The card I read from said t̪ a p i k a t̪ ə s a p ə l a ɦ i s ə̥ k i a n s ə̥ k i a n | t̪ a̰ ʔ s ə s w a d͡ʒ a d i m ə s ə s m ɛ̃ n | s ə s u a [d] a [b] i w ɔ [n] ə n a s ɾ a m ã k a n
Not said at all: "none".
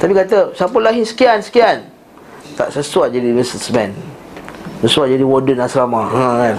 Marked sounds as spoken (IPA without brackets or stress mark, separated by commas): d͡ʒ, d, d